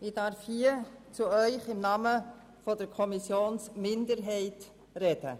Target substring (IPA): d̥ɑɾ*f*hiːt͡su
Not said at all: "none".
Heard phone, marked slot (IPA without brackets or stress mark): f